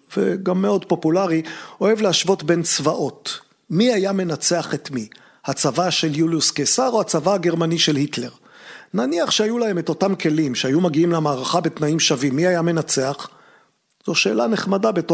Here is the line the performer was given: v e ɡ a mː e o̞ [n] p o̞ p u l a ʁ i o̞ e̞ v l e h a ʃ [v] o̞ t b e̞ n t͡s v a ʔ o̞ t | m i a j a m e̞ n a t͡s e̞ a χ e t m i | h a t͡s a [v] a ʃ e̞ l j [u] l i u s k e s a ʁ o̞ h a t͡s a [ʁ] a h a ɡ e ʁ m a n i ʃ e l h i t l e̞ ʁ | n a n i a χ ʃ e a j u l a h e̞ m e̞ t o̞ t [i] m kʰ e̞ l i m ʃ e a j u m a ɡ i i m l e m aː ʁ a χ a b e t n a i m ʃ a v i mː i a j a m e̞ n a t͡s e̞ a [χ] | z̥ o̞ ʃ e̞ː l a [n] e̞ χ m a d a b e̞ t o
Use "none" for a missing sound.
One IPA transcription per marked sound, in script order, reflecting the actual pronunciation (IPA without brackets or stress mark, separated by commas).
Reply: d, v, v, u, v, a, χ, n